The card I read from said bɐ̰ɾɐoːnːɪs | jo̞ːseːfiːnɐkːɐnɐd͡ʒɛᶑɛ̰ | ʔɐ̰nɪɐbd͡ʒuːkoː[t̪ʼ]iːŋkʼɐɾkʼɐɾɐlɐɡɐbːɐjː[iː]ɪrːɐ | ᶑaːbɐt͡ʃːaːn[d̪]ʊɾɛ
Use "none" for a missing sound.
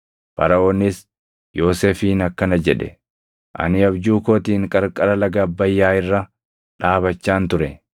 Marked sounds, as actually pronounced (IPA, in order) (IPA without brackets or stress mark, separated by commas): t̪, aː, t̪